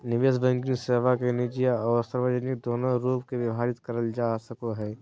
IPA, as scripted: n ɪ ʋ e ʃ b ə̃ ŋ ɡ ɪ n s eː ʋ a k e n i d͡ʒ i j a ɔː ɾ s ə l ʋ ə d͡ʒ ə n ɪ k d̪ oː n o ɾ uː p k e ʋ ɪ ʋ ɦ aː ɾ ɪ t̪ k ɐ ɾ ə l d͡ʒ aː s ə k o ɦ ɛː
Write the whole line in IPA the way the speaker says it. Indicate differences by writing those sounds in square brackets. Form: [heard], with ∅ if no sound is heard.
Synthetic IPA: n ɪ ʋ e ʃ b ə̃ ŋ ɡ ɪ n s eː ʋ a k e n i d͡ʒ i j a ɔː ɾ s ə [ɾ] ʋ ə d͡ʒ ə n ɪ k d̪ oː n o ɾ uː p k e ʋ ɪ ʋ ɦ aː ɾ ɪ t̪ k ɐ ɾ ə l d͡ʒ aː s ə k o ɦ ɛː